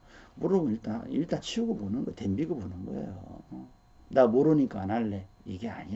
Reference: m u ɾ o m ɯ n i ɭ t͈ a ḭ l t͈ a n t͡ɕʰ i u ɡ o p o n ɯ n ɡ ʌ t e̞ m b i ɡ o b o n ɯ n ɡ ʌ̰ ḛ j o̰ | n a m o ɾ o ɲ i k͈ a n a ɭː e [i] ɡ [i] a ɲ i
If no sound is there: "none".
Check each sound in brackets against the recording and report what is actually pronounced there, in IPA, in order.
i, e

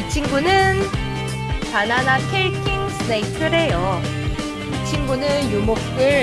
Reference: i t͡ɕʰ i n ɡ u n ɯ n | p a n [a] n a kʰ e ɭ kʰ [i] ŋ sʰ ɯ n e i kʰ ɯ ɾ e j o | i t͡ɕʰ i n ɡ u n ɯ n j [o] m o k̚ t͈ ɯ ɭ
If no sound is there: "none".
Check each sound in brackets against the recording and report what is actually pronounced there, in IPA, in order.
a, i, u

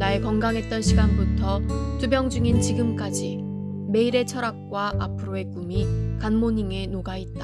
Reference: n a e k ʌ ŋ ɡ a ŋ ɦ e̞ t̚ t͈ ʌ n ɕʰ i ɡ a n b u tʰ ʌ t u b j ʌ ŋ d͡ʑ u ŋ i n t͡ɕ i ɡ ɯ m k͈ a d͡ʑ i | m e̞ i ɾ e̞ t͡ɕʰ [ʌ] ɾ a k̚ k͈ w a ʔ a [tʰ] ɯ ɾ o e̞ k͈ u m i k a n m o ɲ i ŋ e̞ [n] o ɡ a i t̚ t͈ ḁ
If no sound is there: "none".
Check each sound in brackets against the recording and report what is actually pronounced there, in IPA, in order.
ʌ, pʰ, n

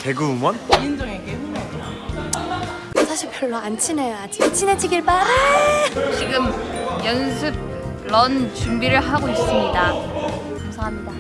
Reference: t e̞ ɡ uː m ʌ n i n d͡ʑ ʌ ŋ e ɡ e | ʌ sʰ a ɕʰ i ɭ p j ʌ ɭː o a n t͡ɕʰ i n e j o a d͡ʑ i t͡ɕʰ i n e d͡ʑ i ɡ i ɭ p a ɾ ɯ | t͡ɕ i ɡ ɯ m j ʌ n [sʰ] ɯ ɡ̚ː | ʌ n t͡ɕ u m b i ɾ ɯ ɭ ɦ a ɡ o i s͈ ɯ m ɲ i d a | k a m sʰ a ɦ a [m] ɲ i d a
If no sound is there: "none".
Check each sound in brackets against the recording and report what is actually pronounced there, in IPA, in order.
sʰ, m

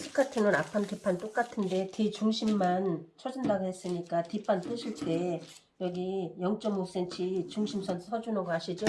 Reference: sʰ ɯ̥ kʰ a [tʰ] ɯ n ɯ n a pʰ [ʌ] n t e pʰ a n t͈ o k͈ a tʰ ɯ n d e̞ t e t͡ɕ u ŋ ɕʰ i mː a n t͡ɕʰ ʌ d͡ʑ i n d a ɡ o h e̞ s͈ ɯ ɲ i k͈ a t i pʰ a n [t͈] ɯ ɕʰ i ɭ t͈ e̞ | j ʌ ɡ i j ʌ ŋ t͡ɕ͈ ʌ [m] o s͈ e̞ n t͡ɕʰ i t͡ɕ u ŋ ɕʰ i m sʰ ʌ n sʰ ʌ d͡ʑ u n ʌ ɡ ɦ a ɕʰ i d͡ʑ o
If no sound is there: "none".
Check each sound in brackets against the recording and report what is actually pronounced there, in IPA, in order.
tʰ, a, t͈, m

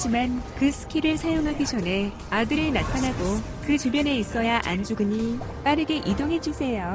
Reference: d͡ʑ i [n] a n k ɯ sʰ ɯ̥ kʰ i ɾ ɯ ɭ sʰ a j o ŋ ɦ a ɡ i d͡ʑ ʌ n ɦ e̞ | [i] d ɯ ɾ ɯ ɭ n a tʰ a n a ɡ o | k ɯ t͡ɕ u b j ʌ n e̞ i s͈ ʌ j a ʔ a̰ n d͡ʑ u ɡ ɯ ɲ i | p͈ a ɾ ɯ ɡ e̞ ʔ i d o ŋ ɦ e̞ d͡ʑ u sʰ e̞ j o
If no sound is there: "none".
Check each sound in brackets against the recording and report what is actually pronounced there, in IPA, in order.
m, a

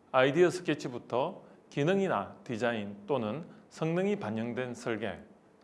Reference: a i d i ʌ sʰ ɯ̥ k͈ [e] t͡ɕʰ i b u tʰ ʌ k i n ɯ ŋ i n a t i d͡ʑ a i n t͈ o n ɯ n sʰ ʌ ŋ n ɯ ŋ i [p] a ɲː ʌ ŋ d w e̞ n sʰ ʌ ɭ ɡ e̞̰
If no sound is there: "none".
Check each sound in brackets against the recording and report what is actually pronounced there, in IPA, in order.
e, p

